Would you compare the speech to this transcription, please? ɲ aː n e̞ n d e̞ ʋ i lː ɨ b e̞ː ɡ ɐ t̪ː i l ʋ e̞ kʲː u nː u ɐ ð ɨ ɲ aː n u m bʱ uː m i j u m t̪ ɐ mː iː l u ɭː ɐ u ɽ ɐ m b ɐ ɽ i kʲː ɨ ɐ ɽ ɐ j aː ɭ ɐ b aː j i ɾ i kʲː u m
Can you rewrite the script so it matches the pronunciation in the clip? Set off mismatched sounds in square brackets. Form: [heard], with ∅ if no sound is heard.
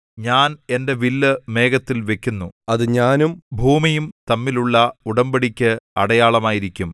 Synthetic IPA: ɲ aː n e̞ n d e̞ ʋ i lː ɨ [m] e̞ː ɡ ɐ t̪ː i l ʋ e̞ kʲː u nː u ɐ ð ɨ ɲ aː n u m bʱ uː m i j u m t̪ ɐ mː [i] l u ɭː ɐ u ɽ ɐ m b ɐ ɽ i kʲː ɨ ɐ ɽ ɐ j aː ɭ ɐ [m] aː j i ɾ i kʲː u m